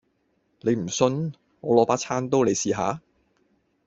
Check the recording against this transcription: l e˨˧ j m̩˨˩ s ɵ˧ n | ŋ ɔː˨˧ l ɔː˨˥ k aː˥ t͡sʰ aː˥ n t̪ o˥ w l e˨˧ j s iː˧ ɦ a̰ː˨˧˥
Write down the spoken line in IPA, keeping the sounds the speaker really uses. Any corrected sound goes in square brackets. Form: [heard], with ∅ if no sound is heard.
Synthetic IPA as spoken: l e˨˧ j m̩˨˩ s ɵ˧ n | ŋ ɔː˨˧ l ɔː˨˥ [p] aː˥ t͡sʰ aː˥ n t̪ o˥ w l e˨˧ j s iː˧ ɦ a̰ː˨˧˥